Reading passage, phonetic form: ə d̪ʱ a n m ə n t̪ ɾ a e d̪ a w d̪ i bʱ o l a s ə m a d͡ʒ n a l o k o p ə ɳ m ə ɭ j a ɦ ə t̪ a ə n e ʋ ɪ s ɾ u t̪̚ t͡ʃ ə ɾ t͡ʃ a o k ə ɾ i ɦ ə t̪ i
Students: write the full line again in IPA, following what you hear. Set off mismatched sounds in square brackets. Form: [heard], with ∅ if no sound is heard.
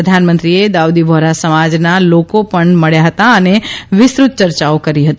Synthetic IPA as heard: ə d̪ʱ a n m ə n t̪ ɾ [i] e d̪ a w d̪ i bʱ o [ɾ] a s ə m a d͡ʒ n a l o k o p ə ɳ m ə ɭ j a ɦ ə t̪ a ə n e ʋ ɪ s ɾ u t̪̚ t͡ʃ ə ɾ t͡ʃ a o k ə ɾ i ɦ ə t̪ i